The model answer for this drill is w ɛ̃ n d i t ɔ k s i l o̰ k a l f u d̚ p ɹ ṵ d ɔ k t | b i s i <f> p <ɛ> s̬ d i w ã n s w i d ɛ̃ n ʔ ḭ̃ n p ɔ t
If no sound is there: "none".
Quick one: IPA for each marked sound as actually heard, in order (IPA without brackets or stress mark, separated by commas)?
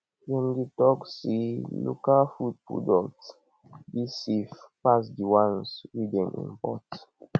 f, a